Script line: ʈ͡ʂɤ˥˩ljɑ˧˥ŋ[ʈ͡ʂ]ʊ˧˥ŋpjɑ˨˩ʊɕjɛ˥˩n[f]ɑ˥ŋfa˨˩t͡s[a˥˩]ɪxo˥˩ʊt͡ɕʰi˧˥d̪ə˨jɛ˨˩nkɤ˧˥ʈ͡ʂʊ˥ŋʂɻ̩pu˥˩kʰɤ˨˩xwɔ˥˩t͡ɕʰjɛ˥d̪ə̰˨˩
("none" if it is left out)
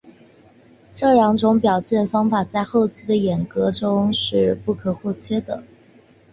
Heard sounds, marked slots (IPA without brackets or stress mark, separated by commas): ʈ͡ʂ, f, a˥˧